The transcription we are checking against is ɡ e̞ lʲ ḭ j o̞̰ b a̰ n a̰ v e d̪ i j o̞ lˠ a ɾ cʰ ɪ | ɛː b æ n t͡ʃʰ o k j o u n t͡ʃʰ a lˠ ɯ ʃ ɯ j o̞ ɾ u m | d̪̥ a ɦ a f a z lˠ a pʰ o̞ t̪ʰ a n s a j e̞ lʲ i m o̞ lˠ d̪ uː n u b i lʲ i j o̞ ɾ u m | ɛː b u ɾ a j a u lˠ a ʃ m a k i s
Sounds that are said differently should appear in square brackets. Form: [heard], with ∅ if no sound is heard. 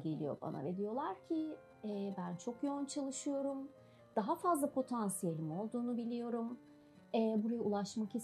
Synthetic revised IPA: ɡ e̞ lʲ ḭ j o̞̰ b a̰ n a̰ v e d̪ i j o̞ lˠ a ɾ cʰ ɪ | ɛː b æ n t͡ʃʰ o k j o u n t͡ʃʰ a lˠ ɯ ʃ ɯ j o̞ ɾ u m | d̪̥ a ɦ a f a z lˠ a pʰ o̞ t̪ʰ a n s [i] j e̞ lʲ i m o̞ lˠ d̪ uː n u b i lʲ i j o̞ ɾ u m | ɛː b u ɾ a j a u lˠ a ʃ m a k i s